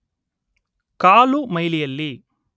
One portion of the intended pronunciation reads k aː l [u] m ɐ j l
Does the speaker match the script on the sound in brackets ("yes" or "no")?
yes